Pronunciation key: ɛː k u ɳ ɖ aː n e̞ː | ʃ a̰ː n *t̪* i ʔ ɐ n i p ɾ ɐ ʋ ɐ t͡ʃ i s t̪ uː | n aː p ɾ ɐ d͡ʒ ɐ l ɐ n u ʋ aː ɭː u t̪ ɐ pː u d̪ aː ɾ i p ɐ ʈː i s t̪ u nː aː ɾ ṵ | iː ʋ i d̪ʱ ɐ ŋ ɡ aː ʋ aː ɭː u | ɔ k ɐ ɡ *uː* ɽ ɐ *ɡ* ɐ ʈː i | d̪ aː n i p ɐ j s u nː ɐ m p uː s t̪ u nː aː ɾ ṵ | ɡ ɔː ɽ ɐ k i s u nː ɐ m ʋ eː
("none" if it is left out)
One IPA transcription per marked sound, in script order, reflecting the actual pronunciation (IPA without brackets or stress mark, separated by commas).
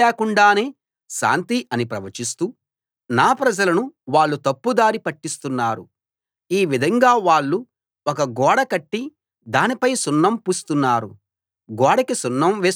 t̪, ɔː, k